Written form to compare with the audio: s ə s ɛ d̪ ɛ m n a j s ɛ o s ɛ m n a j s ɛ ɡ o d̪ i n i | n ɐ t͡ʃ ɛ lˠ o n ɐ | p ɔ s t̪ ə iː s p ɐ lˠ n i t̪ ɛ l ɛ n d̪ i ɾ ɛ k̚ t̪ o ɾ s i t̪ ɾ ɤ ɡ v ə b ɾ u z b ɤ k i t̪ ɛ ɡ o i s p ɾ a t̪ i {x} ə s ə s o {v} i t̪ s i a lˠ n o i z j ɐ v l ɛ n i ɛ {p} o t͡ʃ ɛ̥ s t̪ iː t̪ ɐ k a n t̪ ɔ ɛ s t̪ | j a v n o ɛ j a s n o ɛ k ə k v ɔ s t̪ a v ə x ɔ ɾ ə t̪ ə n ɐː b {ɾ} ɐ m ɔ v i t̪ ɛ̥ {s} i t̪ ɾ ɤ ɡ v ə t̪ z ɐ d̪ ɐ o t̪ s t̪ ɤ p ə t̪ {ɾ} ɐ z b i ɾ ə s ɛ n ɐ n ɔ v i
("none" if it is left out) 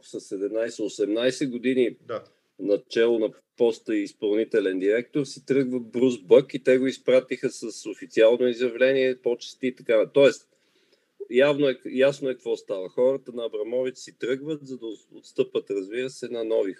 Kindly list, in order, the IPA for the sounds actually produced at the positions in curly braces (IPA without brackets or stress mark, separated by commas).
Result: x, f, p, ɾ, s, ɾ